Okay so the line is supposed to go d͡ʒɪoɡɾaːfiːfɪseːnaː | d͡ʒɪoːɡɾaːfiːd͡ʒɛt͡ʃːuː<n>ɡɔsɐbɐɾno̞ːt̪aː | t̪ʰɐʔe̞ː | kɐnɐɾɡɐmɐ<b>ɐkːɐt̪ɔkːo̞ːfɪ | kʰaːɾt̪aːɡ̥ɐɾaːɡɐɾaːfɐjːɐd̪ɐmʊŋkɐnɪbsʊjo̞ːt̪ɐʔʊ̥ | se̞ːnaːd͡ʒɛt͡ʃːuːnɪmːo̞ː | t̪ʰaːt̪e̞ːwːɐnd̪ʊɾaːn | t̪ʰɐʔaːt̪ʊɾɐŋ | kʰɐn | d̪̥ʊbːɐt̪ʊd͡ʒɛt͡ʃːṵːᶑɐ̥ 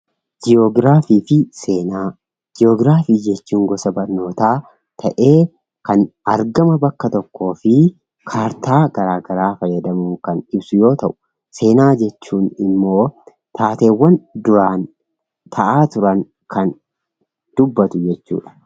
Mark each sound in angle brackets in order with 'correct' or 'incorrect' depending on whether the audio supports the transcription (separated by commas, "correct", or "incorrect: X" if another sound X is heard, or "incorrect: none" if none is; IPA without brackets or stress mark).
incorrect: ŋ, correct